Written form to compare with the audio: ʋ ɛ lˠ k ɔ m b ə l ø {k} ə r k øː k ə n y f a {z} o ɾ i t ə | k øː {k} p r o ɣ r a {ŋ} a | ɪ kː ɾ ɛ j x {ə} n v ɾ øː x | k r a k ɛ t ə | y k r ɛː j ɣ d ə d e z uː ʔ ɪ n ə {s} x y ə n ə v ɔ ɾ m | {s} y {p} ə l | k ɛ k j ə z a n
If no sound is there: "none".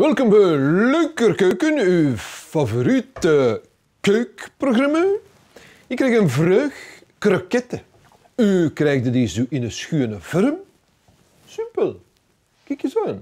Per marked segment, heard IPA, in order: k, v, k, m, ə, s, s, p

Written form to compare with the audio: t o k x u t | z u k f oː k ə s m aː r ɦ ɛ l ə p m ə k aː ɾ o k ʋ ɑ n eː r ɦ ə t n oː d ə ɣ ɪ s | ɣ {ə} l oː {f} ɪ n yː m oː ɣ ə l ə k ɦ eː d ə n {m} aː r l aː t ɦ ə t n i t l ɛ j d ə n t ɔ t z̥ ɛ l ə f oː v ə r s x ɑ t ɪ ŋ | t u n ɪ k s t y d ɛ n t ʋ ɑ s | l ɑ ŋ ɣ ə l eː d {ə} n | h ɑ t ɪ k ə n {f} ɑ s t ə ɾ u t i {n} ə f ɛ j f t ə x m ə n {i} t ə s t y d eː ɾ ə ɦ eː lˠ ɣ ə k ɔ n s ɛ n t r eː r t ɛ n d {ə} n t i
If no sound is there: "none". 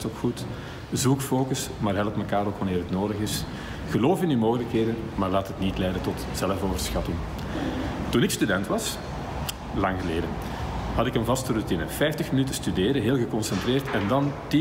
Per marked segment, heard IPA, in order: ə, f, m, ə, v, n, y, ɑ

